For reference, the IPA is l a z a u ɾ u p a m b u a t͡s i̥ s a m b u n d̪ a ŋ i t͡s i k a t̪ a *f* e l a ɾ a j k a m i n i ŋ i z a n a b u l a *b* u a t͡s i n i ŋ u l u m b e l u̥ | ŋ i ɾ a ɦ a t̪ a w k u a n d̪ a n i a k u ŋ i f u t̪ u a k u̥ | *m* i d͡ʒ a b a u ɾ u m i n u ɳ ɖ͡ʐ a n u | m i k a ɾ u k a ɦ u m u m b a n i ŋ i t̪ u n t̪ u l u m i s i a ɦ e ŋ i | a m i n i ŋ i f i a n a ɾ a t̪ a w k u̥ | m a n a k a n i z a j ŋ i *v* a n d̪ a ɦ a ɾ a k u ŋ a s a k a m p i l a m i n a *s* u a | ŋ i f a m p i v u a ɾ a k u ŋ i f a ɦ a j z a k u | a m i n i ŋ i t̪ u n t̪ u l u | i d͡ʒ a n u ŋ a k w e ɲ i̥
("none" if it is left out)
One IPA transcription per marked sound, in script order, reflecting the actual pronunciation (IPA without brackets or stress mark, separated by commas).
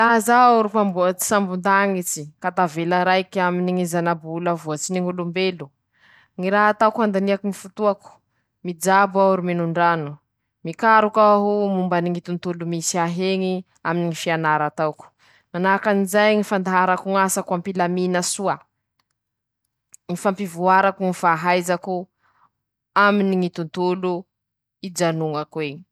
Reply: v, v, m, f, s